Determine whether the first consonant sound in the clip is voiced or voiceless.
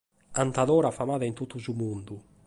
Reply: voiced